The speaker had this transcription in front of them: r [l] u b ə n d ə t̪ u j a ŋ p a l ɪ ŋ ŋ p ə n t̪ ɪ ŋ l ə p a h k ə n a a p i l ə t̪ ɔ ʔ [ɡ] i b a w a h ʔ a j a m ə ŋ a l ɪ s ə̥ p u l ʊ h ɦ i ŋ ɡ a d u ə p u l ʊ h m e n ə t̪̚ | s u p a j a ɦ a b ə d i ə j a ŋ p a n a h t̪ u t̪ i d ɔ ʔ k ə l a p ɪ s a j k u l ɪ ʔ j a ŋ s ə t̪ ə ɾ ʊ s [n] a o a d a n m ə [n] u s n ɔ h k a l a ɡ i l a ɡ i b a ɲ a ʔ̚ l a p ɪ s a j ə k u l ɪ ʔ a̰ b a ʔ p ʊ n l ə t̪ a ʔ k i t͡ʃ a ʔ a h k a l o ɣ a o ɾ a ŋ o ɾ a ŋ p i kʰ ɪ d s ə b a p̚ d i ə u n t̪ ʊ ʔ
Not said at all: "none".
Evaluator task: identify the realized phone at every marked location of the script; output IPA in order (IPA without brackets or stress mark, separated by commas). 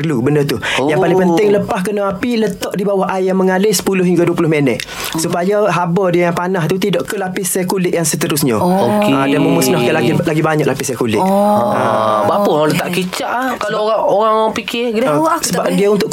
l, d, ɲ, m